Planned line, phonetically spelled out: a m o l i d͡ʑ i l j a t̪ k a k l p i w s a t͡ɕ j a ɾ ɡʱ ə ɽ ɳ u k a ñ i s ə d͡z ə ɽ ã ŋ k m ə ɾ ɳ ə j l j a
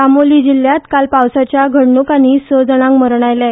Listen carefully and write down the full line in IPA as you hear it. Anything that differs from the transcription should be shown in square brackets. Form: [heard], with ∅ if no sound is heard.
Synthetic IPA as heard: a m o l i d͡ʑ i l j a t̪ k a [∅] l p [a] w s a t͡ɕ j a [∅] ɡʱ ə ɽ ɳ u k a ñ i s ə d͡z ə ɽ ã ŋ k m ə ɾ ɳ [a] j l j a